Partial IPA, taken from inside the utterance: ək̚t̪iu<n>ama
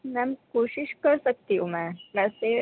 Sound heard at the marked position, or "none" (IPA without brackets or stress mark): m